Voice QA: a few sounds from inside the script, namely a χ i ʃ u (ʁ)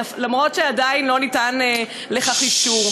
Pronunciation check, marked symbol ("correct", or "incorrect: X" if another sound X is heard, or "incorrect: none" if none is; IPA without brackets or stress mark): correct